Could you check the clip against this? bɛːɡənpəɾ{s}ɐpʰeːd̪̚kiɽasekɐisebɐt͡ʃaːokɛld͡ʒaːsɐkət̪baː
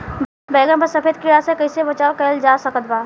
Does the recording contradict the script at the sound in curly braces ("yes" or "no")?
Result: no